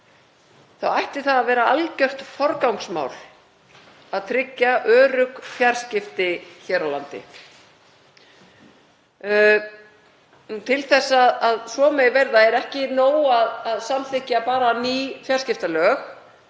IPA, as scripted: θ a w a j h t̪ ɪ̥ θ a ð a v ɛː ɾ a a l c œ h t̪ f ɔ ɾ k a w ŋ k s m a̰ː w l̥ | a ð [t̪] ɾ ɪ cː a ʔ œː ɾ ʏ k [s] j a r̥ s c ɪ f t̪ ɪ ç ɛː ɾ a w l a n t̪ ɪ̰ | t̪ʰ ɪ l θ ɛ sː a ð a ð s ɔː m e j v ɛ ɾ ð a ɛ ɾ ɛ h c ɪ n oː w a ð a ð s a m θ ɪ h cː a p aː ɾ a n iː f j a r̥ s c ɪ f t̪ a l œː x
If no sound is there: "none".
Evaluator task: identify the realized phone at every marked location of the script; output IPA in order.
t̪ʰ, f

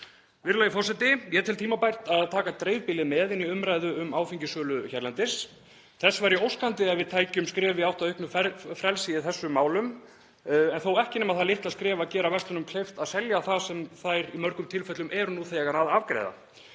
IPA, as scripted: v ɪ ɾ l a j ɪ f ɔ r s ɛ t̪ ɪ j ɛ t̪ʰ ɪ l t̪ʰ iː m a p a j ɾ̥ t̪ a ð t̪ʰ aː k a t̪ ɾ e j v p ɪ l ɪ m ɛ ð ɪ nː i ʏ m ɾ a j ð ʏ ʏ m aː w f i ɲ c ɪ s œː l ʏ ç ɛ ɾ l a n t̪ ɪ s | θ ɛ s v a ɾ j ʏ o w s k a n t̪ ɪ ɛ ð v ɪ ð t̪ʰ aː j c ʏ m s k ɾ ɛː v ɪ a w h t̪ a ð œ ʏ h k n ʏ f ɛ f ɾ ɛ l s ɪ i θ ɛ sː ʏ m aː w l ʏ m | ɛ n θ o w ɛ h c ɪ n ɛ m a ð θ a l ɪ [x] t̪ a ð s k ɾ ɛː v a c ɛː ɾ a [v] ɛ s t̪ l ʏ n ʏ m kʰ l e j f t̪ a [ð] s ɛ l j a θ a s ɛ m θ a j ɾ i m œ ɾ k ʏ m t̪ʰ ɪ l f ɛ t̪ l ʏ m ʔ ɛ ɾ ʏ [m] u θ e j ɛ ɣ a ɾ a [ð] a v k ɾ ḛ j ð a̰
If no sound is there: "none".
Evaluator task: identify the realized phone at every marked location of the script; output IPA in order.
h, v, ð, n, ð

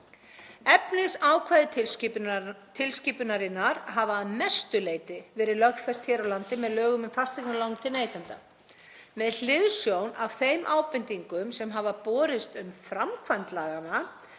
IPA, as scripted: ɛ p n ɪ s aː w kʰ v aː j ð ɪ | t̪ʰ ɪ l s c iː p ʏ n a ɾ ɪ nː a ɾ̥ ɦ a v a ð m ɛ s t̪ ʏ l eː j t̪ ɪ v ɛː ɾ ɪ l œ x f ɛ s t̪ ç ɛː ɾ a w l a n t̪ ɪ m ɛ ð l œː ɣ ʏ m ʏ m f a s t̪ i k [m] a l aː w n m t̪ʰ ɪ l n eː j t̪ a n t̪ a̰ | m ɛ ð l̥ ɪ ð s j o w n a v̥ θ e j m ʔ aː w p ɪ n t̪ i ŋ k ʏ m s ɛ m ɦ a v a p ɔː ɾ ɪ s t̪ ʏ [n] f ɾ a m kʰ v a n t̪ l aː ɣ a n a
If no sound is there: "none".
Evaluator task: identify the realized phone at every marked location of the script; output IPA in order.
n, m

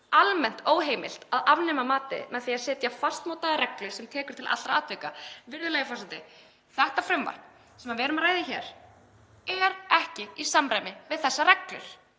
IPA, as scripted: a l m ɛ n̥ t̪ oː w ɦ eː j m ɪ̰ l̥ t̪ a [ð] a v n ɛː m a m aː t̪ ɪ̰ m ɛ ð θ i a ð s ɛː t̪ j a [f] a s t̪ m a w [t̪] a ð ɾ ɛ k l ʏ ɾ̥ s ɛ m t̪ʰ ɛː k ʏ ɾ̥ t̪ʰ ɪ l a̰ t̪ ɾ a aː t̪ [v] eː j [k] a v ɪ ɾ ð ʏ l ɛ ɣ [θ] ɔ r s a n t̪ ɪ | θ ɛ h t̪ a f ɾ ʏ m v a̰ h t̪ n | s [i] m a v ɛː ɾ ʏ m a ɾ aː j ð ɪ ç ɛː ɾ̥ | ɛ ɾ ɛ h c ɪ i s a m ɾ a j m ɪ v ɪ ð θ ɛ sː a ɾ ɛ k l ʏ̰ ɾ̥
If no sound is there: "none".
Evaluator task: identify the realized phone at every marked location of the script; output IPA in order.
ð, f, t̪, v, k, f, ɛ

